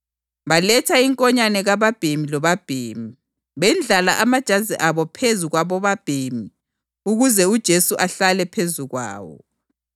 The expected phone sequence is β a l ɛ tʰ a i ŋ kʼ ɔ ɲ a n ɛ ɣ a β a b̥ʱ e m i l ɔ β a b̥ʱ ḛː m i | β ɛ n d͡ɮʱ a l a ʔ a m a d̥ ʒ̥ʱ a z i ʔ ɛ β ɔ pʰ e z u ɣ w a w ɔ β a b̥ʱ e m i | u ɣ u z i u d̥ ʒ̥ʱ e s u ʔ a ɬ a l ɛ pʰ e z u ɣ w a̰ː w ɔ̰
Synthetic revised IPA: β a l ɛ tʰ a i ŋ kʼ ɔ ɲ a n ɛ ɣ a β a b̥ʱ e m i l ɔ β a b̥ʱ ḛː m i | β ɛ n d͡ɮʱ a l a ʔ a m a d̥ ʒ̥ʱ a z i ʔ a β ɔ pʰ e z u ɣ w a β ɔ β a b̥ʱ e m i | u ɣ u z ɛ u d̥ ʒ̥ʱ e s u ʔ a ɬ a l ɛ pʰ e z u ɣ w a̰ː w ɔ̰